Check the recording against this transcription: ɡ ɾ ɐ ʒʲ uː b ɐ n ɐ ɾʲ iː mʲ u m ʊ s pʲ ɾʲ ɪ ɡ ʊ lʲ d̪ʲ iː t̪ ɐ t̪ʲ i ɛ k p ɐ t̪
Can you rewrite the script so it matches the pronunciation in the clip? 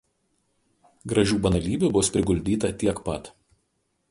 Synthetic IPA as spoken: ɡ ɾ ɐ ʒʲ uː b ɐ n ɐ lʲ iː bʲ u b ʊ s pʲ ɾʲ ɪ ɡ ʊ lʲ d̪ʲ iː t̪ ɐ t̪ʲ i ɛ k p ɐ t̪